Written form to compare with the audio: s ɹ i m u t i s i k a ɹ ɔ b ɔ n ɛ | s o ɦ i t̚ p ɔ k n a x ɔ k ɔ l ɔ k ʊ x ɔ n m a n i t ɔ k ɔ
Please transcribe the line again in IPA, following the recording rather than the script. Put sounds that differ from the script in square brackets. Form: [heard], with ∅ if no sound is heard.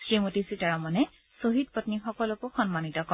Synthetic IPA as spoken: s ɹ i m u t i s i [t] a ɹ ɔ [m] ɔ n ɛ | s o ɦ i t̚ p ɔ [t] n [i] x ɔ k ɔ l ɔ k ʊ x ɔ n m a n i t ɔ k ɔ

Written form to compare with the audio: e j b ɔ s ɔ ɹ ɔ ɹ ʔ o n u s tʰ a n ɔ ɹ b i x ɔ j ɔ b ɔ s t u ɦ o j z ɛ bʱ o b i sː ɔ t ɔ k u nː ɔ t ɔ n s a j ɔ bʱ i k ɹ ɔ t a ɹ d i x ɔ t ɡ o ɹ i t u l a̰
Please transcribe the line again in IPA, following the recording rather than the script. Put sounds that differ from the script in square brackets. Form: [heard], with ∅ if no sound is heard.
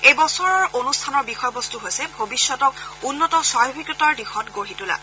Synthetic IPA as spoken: e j b ɔ s ɔ ɹ ɔ ɹ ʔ o n u s tʰ a n ɔ ɹ b i x ɔ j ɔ b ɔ s t u ɦ o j [s] ɛ bʱ o b i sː ɔ t ɔ k u nː ɔ t ɔ [∅] s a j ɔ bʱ i k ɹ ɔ t a ɹ d i x ɔ t ɡ o ɹ i t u l a̰

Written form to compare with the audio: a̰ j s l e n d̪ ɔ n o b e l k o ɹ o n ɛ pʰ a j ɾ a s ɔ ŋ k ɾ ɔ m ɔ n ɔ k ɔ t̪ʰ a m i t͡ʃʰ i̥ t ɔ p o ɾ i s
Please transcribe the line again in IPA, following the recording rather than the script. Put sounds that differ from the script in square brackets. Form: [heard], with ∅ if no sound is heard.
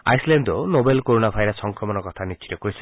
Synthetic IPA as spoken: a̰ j s l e n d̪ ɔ n o b e l k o [ɾ] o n [a] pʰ a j ɾ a s ɔ ŋ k ɾ ɔ m ɔ n ɔ k ɔ t̪ʰ a [n] i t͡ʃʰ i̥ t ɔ [k] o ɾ i s

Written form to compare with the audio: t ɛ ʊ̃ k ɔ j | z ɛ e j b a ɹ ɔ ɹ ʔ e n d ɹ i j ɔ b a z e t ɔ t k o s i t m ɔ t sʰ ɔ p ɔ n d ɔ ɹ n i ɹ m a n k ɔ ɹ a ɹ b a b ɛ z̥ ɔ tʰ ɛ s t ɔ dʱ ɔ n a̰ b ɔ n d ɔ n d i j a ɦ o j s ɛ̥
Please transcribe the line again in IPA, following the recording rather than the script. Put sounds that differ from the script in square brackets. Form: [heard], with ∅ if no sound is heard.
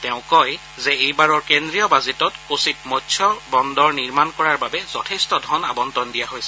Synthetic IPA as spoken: t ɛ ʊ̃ k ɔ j | z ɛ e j b a ɹ ɔ ɹ [k] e n d ɹ i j ɔ b a z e t ɔ t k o s i t m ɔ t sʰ ɔ [b] ɔ n d ɔ ɹ n i ɹ m a n k ɔ ɹ a ɹ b a b ɛ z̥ ɔ tʰ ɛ s t ɔ dʱ ɔ n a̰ b ɔ n [t] ɔ n d i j a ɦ o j s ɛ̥

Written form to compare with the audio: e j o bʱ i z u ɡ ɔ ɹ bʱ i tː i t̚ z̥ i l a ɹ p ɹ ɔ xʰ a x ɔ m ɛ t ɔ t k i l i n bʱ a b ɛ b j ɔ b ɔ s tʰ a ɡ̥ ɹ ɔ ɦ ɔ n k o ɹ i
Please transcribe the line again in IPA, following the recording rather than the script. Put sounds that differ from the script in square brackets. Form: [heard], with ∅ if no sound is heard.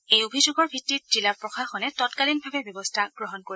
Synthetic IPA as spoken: e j o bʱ i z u ɡ ɔ ɹ bʱ i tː i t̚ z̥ i l a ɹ p ɹ ɔ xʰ a x ɔ [n] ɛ t ɔ t k [a] l i n bʱ a b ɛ b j ɔ b ɔ s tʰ a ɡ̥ ɹ ɔ ɦ ɔ n k o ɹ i

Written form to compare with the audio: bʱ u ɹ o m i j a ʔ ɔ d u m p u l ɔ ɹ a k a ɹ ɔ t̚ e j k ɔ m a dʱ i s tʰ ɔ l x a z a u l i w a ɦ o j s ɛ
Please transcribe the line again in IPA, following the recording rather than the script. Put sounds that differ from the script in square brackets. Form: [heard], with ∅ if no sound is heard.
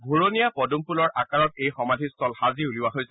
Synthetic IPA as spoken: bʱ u ɹ o [n] i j a [p] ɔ d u m p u l ɔ ɹ a k a ɹ ɔ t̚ e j [x] ɔ m a dʱ i s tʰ ɔ l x a z [i] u l i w a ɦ o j s ɛ

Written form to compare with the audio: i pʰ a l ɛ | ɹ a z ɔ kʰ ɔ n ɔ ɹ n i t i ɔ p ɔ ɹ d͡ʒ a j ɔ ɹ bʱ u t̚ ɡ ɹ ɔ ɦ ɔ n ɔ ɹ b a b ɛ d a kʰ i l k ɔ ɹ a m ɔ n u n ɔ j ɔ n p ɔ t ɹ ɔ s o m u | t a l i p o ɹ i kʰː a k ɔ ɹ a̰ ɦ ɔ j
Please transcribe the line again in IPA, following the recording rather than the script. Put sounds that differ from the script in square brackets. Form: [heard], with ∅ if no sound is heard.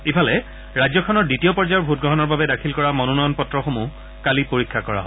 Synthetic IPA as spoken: i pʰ a l ɛ | ɹ a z ɔ kʰ ɔ n ɔ ɹ [d] i t i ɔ p ɔ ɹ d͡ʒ a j ɔ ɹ bʱ u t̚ ɡ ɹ ɔ ɦ ɔ n ɔ ɹ b a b ɛ d a kʰ i l k ɔ ɹ a m ɔ n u n ɔ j ɔ n p ɔ t ɹ ɔ [x] o m u | [k] a l i p o ɹ i kʰː a k ɔ ɹ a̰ ɦ ɔ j

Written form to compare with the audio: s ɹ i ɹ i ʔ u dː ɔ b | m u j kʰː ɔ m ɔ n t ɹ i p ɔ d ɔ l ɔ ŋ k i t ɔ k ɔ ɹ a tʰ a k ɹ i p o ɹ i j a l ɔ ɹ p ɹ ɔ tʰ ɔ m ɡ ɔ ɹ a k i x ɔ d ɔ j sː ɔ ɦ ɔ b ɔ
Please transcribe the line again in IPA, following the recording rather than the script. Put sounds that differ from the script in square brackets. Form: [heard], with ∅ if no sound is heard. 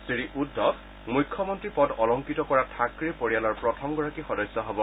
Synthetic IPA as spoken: s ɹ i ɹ i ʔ u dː ɔ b | m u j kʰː ɔ m ɔ n t ɹ i p ɔ d ɔ l ɔ ŋ k i t ɔ k ɔ ɹ a tʰ a k ɹ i p o ɹ i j a l ɔ ɹ p ɹ ɔ tʰ ɔ m ɡ ɔ ɹ a k i x ɔ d ɔ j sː ɔ ɦ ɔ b ɔ

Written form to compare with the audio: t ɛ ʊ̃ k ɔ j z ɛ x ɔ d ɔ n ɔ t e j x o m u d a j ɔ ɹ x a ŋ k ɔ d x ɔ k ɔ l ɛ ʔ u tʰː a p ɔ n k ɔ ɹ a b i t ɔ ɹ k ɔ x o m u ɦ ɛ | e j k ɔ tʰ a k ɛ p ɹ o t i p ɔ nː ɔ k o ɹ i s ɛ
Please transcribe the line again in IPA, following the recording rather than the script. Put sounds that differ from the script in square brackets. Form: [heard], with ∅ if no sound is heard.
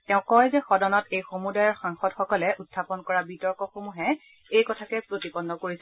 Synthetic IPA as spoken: t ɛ ʊ̃ k ɔ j z ɛ x ɔ d ɔ n ɔ t e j x o m u d a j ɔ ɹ x a ŋ [x] ɔ d x ɔ k ɔ l ɛ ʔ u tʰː a p ɔ n k ɔ ɹ a b i t ɔ ɹ k ɔ x o m u ɦ ɛ | e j k ɔ tʰ a k ɛ p ɹ o t i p ɔ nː ɔ k o ɹ i s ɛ

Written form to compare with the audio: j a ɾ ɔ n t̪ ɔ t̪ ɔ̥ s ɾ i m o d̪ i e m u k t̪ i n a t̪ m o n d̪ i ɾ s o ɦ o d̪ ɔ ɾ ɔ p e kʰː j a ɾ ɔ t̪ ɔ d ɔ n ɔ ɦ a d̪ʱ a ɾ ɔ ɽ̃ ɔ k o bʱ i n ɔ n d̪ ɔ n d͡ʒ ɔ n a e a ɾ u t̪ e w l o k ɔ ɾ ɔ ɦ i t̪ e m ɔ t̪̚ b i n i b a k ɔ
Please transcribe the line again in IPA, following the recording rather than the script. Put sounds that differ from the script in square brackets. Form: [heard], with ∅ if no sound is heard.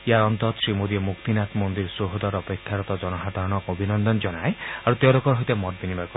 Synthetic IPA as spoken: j a ɾ ɔ n t̪ ɔ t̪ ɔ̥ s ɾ i m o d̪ i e m u k t̪ i n a t̪ m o n d̪ i ɾ s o ɦ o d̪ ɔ ɾ ɔ p e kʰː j a ɾ ɔ t̪ ɔ [d͡ʒ] ɔ n ɔ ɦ a d̪ʱ a ɾ ɔ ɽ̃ ɔ k o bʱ i n ɔ n d̪ ɔ n d͡ʒ ɔ n a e a ɾ u t̪ e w l o k ɔ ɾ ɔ ɦ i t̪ e m ɔ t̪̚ b i n i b a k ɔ

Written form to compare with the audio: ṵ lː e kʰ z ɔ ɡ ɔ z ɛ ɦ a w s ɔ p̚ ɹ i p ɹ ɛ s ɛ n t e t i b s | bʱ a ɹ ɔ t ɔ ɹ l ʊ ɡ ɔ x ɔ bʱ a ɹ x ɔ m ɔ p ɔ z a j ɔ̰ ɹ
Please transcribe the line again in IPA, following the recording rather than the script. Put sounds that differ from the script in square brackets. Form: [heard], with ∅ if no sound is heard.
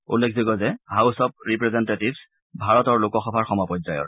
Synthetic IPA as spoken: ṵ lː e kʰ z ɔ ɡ ɔ z ɛ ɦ a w s ɔ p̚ ɹ i p ɹ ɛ [z] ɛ n t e t i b s | bʱ a ɹ ɔ t ɔ ɹ l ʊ [k] ɔ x ɔ bʱ a ɹ x ɔ m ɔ p ɔ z a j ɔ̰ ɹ

